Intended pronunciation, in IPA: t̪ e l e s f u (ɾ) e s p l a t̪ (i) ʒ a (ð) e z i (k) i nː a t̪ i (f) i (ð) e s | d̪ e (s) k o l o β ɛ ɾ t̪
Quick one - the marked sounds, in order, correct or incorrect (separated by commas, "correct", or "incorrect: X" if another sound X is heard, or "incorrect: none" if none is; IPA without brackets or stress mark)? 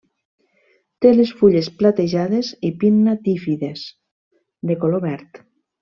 incorrect: ʎ, incorrect: e, correct, incorrect: p, correct, correct, incorrect: none